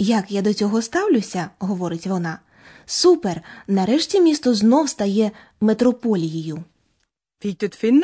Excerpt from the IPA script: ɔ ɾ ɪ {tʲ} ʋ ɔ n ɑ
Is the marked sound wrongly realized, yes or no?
no